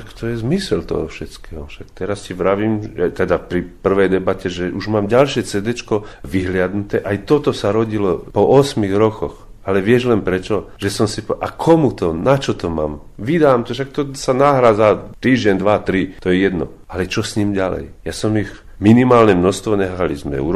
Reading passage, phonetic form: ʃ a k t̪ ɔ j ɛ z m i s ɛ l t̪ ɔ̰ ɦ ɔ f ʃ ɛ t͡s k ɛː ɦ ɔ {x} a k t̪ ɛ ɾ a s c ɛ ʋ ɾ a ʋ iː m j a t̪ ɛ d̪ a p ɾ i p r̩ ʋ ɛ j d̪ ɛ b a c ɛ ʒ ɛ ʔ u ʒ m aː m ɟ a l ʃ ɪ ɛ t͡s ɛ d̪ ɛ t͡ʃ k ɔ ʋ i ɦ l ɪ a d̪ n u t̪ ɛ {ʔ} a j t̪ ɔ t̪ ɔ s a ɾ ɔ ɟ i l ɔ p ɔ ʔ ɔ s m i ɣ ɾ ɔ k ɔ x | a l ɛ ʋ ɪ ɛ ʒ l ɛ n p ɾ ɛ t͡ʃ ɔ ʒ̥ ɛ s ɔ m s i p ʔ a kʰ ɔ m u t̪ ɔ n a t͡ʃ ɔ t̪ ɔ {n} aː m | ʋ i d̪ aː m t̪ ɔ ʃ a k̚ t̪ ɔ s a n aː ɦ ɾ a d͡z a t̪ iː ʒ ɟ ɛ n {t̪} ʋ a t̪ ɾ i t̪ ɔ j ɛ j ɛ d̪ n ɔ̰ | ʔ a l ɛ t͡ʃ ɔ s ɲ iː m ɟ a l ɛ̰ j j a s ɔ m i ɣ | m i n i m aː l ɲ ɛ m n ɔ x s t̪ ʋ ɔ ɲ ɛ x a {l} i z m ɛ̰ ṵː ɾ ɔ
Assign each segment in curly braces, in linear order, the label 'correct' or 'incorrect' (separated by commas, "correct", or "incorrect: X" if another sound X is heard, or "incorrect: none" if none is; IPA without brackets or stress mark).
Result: incorrect: ʃ, correct, incorrect: m, incorrect: d̪, correct